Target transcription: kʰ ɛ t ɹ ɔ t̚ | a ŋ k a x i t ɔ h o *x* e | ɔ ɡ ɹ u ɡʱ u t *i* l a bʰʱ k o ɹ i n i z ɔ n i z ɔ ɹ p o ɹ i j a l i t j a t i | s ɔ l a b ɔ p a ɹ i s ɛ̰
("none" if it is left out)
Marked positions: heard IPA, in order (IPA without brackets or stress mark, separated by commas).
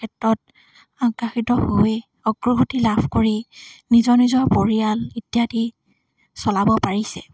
none, i